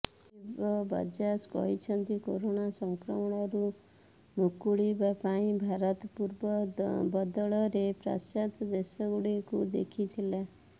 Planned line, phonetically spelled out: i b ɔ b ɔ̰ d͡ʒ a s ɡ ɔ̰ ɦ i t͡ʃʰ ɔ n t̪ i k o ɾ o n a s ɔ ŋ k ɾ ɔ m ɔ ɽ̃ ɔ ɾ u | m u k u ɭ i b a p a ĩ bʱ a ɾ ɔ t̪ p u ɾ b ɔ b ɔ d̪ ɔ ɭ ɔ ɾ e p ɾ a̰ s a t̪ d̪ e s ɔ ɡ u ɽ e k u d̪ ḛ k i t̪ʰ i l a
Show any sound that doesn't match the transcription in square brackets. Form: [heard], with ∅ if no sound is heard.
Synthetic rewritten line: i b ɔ b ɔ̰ d͡ʒ a s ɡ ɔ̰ ɦ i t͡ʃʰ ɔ n t̪ i k o ɾ o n a s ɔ ŋ k ɾ ɔ m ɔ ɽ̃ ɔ ɾ u | m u k u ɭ i b a p a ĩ bʱ a ɾ ɔ t̪ p u ɾ b ɔ b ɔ d̪ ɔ ɭ ɔ ɾ e p ɾ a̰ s a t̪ d̪ e s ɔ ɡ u ɽ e k u d̪ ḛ [kʰ] i t̪ʰ i l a